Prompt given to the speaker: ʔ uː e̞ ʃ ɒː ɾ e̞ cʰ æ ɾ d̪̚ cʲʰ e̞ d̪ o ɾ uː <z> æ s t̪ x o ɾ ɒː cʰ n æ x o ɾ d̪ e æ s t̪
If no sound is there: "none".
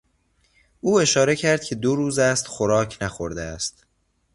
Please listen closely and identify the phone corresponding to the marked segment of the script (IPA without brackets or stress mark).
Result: z